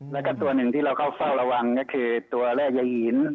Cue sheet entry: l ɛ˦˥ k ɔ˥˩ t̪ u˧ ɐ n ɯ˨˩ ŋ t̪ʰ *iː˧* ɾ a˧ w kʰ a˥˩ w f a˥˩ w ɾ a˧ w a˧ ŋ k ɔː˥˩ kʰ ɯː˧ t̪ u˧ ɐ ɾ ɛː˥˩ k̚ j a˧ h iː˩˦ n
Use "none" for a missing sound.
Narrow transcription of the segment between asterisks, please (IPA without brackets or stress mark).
iː˥˩